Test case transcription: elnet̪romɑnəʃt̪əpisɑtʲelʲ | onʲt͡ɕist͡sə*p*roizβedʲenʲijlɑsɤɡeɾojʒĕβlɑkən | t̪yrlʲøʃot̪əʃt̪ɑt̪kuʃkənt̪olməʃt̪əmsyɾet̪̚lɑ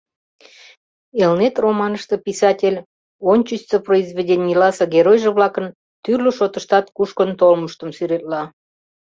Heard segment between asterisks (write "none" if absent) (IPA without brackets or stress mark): p